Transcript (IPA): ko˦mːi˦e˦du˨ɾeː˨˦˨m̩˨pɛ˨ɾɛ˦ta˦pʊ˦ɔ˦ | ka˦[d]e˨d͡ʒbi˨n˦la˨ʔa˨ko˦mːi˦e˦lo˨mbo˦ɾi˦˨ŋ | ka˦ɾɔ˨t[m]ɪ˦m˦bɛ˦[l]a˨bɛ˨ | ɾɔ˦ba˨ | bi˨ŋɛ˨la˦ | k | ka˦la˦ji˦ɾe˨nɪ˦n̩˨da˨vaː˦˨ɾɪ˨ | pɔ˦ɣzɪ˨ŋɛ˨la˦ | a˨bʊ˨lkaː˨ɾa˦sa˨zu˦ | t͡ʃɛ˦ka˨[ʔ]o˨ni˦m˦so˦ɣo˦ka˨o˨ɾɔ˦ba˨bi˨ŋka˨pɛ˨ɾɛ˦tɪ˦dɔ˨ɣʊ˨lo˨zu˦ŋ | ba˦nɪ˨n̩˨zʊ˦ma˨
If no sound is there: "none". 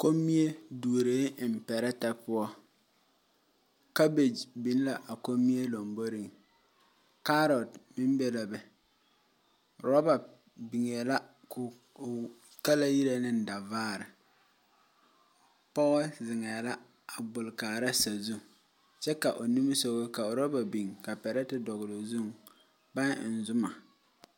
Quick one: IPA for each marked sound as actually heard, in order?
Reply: b, m, l, ʔ

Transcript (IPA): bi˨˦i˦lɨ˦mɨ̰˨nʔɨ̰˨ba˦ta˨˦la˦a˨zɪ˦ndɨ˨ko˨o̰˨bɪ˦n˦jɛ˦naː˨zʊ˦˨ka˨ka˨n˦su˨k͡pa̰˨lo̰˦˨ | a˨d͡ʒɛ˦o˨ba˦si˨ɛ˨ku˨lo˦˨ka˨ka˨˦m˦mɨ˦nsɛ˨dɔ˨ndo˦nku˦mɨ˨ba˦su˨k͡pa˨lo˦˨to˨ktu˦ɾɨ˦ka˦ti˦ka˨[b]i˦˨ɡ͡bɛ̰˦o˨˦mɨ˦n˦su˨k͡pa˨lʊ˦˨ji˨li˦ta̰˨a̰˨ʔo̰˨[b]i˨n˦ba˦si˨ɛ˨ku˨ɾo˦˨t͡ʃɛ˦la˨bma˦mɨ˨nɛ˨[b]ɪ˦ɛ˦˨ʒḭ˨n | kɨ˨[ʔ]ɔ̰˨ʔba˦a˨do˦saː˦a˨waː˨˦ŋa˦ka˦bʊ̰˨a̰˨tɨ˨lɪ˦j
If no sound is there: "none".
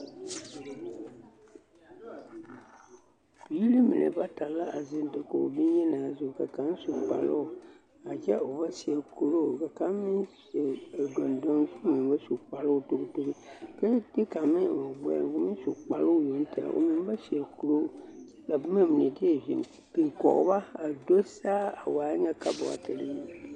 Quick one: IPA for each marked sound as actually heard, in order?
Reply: m, m, d, k

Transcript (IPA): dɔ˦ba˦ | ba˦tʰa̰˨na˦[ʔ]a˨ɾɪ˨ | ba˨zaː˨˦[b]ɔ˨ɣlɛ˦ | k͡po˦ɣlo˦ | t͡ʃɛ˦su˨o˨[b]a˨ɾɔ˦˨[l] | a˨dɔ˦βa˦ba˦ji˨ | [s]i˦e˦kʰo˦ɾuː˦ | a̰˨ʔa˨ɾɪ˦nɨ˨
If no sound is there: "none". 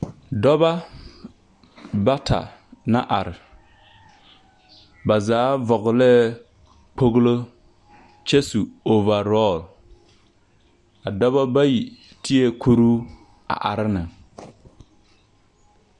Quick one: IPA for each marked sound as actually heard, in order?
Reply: ʔ, v, v, l, t

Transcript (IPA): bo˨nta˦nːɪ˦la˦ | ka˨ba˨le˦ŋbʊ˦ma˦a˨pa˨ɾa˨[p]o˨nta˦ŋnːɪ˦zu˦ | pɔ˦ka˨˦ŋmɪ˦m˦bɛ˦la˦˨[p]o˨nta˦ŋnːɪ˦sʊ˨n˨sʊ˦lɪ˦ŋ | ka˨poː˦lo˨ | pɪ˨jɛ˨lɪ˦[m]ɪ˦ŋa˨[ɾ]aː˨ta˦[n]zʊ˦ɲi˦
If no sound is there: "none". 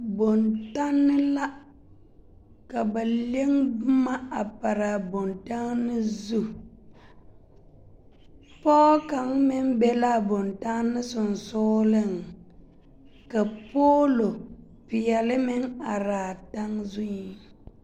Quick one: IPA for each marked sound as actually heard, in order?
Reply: b, b, m, ɾ, ŋ

